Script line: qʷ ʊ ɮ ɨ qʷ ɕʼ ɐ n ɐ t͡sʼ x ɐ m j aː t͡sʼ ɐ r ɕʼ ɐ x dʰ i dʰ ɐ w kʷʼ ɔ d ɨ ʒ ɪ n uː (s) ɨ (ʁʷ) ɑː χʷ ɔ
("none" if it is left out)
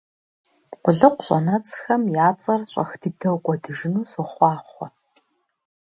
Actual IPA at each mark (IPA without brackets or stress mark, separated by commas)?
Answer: s, χʷ